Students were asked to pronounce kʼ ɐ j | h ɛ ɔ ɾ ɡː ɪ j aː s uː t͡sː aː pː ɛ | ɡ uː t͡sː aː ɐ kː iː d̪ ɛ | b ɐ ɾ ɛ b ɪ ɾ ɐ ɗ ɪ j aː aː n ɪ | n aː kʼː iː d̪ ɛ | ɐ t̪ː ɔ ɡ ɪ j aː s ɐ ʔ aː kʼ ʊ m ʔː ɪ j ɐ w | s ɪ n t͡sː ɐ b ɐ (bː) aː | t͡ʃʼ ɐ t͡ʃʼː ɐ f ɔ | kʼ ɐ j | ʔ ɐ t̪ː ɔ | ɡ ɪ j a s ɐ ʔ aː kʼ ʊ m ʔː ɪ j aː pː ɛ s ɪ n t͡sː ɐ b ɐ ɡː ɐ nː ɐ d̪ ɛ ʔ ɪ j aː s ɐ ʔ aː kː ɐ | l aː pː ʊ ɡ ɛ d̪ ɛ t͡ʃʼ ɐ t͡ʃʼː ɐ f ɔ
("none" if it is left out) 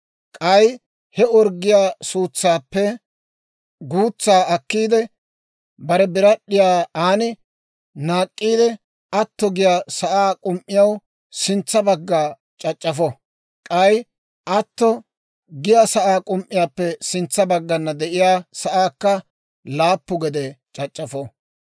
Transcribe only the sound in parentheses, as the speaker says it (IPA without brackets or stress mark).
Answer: ɡː